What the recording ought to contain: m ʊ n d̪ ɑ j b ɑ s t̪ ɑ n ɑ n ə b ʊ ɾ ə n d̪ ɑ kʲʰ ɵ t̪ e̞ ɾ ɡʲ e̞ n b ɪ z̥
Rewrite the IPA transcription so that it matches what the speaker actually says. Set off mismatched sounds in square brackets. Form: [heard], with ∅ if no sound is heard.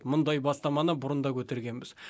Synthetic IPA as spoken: m ʊ n d̪ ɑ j b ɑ s t̪ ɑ [m] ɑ n ə b ʊ ɾ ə n d̪ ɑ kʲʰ ɵ t̪ e̞ ɾ ɡʲ e̞ n b ɪ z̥

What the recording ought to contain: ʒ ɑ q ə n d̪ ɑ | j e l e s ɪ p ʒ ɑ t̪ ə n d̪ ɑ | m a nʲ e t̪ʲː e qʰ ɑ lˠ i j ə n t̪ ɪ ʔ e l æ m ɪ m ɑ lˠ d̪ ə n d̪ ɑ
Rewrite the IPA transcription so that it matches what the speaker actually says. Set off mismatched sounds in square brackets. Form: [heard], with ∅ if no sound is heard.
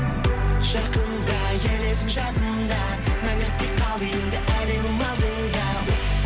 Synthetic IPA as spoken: ʒ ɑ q ə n d̪ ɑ | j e l e s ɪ p ʒ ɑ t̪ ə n d̪ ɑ | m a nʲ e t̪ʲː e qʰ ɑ lˠ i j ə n [d̪] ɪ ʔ [æ] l [e] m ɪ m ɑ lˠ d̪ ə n d̪ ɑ

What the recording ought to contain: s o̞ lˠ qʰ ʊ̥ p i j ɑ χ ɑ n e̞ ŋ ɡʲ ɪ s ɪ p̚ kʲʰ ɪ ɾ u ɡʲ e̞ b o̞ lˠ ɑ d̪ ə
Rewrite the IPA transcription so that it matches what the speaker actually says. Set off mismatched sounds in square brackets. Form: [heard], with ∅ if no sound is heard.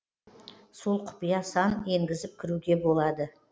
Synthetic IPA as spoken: s o̞ lˠ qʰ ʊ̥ p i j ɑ [s] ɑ n e̞ ŋ ɡʲ ɪ [z] ɪ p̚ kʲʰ ɪ ɾ u ɡʲ e̞ b o̞ lˠ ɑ d̪ ə

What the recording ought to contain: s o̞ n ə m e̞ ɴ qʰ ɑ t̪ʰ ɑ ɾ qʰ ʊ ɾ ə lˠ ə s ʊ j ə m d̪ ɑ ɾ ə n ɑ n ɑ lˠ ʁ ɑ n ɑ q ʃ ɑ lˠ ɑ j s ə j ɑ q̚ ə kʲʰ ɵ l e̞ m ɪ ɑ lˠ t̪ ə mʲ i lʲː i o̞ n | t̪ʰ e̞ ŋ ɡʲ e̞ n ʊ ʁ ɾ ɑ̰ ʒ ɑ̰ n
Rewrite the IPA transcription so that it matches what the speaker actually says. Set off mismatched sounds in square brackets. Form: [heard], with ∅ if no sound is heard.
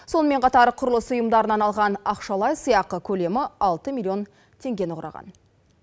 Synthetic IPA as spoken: s o̞ n ə m e̞ ɴ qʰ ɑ [t̪] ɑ ɾ qʰ ʊ ɾ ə lˠ ə s ʊ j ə m d̪ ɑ ɾ ə n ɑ n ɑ lˠ ʁ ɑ n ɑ q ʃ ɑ lˠ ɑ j s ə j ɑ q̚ ə kʲʰ ɵ l e̞ m ɪ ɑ lˠ t̪ ə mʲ i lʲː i o̞ n | t̪ʰ e̞ ŋ ɡʲ e̞ n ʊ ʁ ɾ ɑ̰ [ʁ] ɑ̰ n

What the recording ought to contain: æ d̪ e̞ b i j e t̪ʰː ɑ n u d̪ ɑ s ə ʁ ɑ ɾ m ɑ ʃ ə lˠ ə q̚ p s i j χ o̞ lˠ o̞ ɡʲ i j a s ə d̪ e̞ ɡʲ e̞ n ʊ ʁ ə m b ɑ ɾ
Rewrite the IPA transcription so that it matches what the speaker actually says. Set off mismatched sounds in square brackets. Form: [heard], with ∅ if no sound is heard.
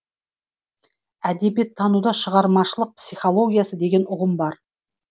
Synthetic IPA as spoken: æ d̪ e̞ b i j e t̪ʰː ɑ n u d̪ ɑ [ʃ] ə ʁ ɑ ɾ m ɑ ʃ ə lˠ ə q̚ p s i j χ o̞ lˠ o̞ ɡʲ i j a s ə d̪ e̞ ɡʲ e̞ n ʊ ʁ ə m b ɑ ɾ

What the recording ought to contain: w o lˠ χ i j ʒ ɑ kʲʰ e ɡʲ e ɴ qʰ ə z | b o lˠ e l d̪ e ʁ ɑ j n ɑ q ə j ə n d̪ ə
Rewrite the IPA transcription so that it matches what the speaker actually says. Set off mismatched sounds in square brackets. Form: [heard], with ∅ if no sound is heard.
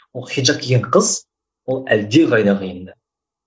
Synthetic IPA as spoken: w o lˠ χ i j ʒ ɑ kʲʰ e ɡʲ e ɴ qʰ ə z | [w] o lˠ [æ] l d̪ e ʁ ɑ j n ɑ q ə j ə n d̪ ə

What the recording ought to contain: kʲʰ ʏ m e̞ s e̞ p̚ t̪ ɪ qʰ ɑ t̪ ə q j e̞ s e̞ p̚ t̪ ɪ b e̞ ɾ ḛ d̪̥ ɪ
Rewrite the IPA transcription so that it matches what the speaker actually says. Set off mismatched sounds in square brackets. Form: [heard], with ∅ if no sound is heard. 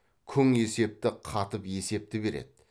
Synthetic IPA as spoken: kʲʰ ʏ [ŋ] e̞ s e̞ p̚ t̪ ɪ qʰ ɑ t̪ ə [p] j e̞ s e̞ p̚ t̪ ɪ b e̞ ɾ ḛ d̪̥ ɪ

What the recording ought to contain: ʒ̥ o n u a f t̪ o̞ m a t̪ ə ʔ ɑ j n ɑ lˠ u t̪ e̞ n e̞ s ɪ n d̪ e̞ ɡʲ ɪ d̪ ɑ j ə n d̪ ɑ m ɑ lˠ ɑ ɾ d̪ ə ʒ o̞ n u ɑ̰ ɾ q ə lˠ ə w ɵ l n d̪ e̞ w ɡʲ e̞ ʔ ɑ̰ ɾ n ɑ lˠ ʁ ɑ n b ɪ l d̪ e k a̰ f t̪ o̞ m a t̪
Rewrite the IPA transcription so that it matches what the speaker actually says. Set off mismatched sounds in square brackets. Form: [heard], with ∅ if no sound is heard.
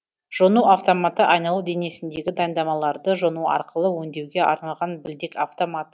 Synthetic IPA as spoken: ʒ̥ o n u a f t̪ o̞ m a t̪ ə ʔ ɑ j n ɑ lˠ u [d̪] e̞ n e̞ s ɪ n d̪ e̞ ɡʲ ɪ d̪ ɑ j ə n d̪ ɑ m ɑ lˠ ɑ ɾ d̪ ə ʒ o̞ n u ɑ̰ ɾ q ə lˠ ə w ɵ [∅] n d̪ e̞ w ɡʲ e̞ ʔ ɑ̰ ɾ n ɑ lˠ ʁ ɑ n b ɪ l d̪ e k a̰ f t̪ o̞ m a t̪

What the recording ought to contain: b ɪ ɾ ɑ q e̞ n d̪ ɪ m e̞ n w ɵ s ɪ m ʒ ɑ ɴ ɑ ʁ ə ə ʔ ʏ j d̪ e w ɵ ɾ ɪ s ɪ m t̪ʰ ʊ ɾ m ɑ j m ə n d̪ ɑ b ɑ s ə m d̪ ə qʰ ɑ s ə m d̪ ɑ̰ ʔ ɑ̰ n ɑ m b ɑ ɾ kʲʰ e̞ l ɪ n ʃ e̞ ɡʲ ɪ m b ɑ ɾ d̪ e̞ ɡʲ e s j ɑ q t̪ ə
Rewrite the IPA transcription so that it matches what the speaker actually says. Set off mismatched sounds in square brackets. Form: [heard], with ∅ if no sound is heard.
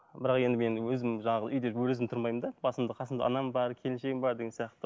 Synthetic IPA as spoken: b ɪ ɾ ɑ q e̞ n d̪ ɪ m e̞ n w ɵ [z] ɪ m ʒ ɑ ɴ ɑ ʁ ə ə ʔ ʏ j d̪ e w ɵ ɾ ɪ [z] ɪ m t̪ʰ ʊ ɾ m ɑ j m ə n d̪ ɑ b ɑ s ə m d̪ ə qʰ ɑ s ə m d̪ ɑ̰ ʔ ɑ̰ n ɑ m b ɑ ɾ kʲʰ e̞ l ɪ n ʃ e̞ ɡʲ ɪ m b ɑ ɾ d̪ e̞ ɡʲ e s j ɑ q t̪ ə

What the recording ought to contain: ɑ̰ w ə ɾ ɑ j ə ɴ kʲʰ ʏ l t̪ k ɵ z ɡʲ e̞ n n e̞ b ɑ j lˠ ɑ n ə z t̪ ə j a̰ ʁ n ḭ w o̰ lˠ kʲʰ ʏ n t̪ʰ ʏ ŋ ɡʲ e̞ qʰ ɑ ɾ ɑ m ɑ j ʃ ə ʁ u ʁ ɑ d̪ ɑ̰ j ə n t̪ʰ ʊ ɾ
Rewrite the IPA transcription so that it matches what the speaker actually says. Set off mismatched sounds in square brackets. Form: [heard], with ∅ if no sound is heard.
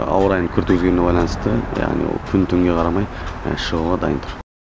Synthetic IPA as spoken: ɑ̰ w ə ɾ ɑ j ə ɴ kʲʰ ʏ [ɾ] t̪ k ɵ z ɡʲ e̞ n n e̞ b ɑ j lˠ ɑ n ə [s] t̪ ə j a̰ ʁ n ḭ w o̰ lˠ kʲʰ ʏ n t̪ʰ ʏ ŋ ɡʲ e̞ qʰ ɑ ɾ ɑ m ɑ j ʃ ə ʁ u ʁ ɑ d̪ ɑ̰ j ə n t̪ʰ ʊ ɾ

